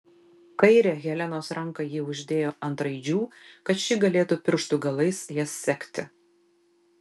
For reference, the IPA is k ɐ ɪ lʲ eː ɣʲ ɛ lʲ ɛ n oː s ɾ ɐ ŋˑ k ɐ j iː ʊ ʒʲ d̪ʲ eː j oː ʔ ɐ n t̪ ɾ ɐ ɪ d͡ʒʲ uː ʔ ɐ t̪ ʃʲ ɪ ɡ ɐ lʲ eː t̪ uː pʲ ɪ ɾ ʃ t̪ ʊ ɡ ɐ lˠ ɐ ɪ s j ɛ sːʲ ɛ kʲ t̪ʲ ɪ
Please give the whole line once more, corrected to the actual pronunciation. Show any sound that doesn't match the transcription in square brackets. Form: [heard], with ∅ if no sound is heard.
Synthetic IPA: k ɐ ɪ [ɾʲ] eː ɣʲ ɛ lʲ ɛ n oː s ɾ ɐ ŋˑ k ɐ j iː ʊ ʒʲ d̪ʲ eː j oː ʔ ɐ n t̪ ɾ ɐ ɪ d͡ʒʲ uː [k] ɐ t̪ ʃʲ ɪ ɡ ɐ lʲ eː t̪ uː pʲ ɪ ɾ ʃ t̪ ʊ ɡ ɐ lˠ ɐ ɪ s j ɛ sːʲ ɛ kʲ t̪ʲ ɪ